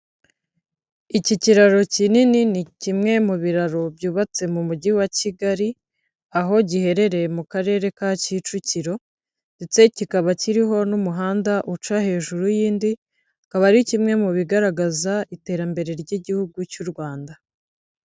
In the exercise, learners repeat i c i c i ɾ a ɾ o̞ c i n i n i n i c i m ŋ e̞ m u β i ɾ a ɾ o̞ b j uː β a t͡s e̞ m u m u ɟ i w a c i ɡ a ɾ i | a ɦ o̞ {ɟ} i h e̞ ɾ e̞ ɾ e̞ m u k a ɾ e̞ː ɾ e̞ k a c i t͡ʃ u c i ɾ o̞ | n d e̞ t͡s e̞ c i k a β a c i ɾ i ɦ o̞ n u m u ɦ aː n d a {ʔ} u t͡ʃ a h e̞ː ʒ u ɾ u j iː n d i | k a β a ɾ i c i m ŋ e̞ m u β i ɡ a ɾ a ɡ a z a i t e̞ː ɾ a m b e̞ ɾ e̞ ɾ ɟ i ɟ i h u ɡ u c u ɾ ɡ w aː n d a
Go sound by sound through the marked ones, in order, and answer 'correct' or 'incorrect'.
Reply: correct, correct

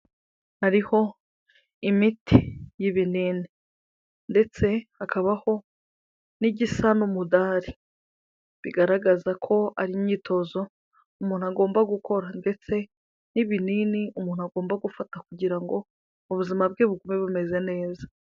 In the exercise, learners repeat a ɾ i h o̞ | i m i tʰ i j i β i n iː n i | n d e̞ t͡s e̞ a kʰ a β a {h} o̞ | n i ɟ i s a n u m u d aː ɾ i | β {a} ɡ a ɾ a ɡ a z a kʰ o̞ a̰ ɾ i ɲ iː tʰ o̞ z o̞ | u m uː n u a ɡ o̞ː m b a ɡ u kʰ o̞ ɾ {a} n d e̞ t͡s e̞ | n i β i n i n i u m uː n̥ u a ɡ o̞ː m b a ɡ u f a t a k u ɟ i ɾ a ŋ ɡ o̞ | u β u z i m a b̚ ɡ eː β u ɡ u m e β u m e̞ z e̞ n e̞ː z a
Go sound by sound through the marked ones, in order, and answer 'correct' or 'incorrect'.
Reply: correct, incorrect: i, correct

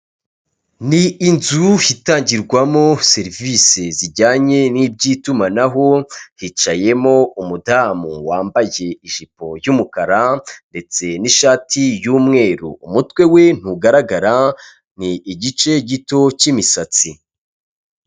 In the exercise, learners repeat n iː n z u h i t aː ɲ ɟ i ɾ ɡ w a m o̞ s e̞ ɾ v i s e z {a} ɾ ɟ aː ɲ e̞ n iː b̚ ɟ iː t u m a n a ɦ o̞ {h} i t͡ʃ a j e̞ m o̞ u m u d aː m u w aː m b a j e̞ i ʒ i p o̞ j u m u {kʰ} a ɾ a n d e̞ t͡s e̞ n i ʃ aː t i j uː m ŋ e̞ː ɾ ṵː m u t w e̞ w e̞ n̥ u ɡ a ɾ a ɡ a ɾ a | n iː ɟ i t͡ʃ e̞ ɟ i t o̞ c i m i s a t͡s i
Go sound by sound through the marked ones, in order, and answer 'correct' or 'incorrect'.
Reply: incorrect: i, correct, incorrect: k

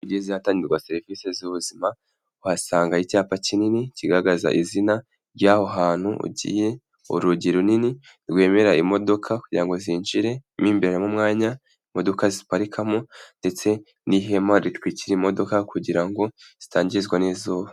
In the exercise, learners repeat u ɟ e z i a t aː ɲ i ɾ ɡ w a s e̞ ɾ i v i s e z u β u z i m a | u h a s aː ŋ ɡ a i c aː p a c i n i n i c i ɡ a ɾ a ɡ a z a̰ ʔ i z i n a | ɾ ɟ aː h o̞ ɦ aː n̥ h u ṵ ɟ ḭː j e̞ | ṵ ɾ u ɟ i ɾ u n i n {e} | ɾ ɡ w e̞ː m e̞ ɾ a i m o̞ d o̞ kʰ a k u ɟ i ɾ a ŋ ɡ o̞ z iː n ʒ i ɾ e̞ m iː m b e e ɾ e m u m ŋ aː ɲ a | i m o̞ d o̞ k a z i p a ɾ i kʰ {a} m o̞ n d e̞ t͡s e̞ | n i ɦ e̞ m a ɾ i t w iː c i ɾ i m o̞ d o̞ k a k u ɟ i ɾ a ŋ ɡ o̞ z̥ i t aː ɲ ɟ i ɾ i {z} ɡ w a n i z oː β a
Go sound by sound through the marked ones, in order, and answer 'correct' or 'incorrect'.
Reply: incorrect: i, correct, correct

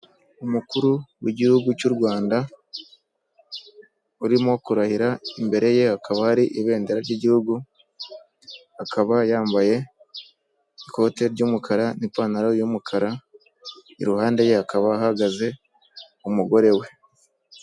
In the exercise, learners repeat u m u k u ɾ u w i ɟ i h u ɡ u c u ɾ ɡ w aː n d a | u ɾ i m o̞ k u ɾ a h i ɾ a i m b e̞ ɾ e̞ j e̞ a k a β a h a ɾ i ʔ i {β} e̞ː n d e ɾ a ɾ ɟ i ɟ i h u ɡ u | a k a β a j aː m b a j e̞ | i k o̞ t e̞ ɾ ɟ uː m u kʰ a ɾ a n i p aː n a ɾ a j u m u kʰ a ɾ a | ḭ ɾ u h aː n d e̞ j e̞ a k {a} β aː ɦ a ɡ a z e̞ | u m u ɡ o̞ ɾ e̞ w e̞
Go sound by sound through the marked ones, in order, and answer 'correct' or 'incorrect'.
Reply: correct, correct

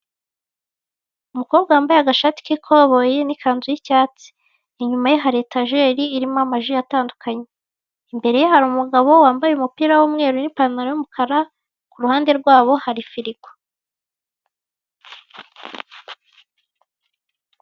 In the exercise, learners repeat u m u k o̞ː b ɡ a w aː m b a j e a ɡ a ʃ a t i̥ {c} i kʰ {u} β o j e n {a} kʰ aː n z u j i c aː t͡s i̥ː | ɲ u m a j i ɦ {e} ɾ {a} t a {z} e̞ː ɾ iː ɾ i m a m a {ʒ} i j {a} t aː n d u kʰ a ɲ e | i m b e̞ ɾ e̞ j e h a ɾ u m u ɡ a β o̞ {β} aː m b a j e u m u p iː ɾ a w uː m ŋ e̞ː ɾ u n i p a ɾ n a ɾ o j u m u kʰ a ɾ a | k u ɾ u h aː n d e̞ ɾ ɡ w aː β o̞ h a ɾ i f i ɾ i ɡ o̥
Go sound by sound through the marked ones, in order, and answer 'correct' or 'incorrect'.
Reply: incorrect: k, incorrect: o, incorrect: i, incorrect: a, incorrect: e, incorrect: ʒ, correct, correct, incorrect: w

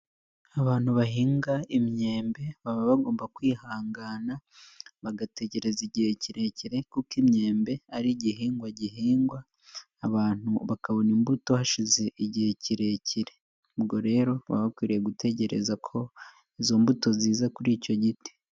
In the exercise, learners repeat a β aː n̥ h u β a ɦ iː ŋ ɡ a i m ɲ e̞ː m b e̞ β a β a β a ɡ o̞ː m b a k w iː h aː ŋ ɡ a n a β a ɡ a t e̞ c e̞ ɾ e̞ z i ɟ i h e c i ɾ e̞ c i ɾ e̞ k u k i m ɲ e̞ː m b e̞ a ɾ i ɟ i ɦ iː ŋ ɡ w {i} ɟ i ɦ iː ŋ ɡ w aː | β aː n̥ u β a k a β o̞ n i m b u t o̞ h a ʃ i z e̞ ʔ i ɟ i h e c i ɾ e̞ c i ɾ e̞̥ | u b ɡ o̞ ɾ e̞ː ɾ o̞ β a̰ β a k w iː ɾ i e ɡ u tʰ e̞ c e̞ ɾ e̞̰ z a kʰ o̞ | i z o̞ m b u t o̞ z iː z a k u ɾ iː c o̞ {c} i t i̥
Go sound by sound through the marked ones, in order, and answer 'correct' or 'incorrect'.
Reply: incorrect: a, incorrect: ɟ

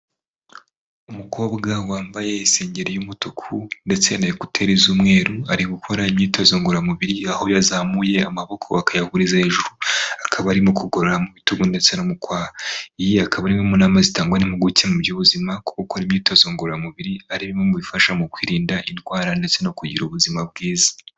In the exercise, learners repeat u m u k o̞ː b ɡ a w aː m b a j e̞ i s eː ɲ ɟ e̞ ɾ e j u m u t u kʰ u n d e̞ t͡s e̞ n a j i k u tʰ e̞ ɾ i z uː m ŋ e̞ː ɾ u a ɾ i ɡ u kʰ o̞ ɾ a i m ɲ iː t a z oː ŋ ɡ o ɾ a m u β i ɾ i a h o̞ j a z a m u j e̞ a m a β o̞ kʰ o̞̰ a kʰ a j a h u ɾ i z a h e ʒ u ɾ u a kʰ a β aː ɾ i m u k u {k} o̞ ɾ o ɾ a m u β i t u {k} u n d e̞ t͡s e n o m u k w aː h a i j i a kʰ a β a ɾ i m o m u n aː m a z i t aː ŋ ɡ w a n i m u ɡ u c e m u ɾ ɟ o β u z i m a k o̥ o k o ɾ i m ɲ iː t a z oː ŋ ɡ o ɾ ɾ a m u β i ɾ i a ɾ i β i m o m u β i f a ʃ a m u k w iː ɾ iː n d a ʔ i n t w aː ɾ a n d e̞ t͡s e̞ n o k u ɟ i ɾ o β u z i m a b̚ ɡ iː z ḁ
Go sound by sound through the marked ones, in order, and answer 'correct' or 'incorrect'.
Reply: incorrect: ɡ, incorrect: ɡ

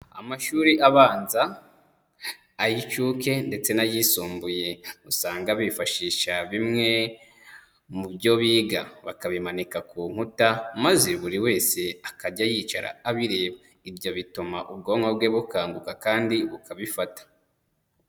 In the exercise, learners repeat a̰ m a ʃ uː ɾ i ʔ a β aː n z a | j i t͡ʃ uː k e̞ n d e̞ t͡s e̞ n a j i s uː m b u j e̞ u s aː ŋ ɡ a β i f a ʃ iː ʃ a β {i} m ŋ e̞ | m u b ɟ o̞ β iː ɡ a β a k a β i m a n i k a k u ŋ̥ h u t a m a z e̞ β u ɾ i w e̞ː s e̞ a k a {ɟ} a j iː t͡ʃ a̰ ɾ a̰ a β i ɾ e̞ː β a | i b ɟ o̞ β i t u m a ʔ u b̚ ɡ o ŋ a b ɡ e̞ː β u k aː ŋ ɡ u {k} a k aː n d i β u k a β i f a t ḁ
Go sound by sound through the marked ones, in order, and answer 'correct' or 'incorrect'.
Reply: correct, correct, correct

